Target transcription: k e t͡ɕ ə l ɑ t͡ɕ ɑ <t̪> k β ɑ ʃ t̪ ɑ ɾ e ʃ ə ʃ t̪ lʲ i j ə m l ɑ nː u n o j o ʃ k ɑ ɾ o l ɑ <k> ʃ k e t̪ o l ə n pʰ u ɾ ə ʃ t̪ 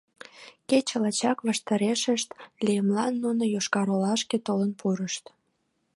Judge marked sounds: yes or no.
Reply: no, no

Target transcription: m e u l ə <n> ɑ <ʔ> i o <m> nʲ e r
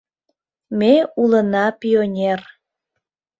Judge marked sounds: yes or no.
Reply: yes, no, no

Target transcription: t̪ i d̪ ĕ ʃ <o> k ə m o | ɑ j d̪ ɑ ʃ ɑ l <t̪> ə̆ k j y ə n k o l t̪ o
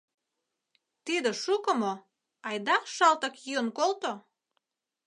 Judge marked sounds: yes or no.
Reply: no, yes

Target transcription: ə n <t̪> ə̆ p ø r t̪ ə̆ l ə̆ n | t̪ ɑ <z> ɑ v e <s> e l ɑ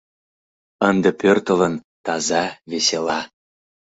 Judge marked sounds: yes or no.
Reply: no, yes, yes

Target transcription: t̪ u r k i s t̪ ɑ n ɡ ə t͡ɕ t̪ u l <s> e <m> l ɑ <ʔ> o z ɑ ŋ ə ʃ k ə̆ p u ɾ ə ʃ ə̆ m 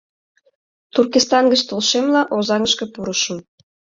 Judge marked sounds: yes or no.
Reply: no, yes, yes

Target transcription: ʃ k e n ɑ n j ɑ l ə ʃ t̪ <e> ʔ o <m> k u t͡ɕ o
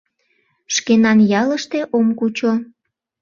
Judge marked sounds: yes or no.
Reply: yes, yes

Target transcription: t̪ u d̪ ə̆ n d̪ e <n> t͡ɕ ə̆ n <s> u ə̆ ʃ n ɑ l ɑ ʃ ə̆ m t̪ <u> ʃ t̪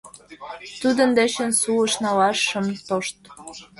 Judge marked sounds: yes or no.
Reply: no, yes, no

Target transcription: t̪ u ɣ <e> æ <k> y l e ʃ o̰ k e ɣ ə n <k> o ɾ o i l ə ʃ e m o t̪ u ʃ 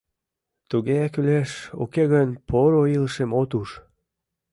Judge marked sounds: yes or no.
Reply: yes, yes, no

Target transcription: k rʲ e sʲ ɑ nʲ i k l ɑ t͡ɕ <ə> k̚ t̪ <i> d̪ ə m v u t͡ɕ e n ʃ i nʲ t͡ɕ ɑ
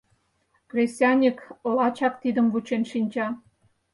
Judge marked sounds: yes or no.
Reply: no, yes

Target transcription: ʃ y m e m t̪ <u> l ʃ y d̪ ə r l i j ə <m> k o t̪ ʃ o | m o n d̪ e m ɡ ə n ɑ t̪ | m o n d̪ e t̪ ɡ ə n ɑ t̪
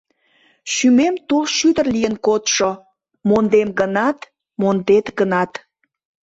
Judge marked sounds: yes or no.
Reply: no, no

